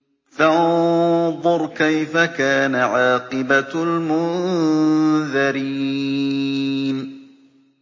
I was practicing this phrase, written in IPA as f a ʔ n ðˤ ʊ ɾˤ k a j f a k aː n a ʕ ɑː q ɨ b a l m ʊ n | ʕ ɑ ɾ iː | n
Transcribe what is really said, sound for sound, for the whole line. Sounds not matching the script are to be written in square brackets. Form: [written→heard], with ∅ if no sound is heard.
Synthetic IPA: f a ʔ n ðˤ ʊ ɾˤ k a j f a k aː n a ʕ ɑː q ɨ b a l m ʊ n | [ʕ→ð] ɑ ɾ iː | n